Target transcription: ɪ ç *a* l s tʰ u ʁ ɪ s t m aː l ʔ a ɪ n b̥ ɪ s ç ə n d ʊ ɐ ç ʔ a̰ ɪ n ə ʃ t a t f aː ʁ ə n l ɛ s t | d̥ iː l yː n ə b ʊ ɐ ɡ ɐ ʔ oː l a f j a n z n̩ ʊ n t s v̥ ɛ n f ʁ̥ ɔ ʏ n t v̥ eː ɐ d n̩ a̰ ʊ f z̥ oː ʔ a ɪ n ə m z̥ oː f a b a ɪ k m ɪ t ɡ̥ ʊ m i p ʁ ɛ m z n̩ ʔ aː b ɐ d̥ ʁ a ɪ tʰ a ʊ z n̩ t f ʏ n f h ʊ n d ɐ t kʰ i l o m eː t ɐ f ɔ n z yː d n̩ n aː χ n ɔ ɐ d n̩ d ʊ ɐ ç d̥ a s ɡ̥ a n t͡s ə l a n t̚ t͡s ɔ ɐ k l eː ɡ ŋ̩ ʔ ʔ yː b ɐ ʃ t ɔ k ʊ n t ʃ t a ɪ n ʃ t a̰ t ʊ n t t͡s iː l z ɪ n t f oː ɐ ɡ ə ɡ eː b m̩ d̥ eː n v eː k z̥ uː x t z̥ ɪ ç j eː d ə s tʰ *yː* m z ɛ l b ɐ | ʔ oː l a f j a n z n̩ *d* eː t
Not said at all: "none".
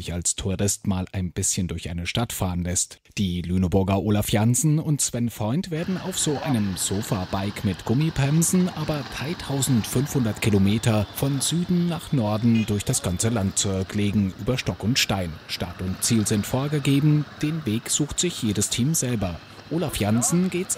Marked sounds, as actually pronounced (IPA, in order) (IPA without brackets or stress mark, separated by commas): a, iː, ɡ